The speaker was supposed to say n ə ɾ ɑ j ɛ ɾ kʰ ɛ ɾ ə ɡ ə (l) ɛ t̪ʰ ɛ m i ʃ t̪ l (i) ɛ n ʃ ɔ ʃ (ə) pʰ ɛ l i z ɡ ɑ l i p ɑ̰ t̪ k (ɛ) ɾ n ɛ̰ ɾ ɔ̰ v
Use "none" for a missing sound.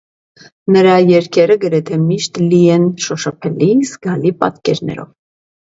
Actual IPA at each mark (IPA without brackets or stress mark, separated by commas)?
ɾ, i, ɑ, ɛ